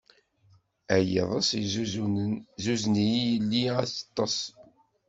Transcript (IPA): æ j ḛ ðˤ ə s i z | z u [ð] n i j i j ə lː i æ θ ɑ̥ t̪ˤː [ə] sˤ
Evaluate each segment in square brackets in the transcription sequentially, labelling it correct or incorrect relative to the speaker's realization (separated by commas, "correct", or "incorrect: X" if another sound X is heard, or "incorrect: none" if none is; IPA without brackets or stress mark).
incorrect: z, incorrect: ɑ